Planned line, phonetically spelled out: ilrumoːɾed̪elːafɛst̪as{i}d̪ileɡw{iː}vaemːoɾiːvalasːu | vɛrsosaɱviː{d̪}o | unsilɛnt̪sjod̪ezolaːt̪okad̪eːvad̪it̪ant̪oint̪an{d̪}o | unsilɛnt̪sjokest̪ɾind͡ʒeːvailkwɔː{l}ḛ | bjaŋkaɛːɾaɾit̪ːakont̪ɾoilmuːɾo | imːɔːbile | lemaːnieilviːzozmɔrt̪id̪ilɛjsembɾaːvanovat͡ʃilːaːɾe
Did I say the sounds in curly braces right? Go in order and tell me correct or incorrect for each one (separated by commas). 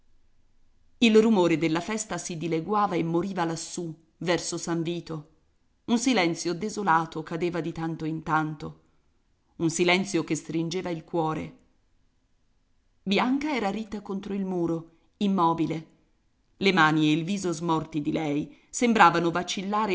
correct, incorrect, incorrect, incorrect, incorrect